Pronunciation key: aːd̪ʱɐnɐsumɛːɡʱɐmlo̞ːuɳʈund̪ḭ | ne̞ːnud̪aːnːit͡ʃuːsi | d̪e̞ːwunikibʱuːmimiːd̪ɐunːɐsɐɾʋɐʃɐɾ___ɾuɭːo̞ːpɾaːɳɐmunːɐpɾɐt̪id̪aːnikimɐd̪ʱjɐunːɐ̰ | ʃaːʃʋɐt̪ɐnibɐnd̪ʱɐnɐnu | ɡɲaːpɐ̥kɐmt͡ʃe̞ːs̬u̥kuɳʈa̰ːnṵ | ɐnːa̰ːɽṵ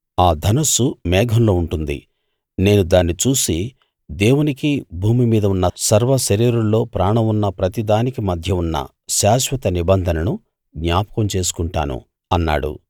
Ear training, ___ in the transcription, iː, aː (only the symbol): iː